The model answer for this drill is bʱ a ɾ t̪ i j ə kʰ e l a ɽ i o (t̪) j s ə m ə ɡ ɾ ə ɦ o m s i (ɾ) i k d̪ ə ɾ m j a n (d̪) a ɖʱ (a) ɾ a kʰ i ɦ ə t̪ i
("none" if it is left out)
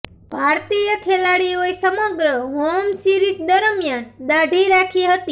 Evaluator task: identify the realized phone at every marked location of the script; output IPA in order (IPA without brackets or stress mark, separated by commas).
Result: none, ɾ, d̪, i